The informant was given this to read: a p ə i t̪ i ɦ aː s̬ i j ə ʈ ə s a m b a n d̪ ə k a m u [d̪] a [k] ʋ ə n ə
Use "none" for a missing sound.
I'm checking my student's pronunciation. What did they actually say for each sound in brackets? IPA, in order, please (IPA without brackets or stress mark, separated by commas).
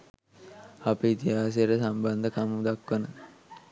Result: d̪, k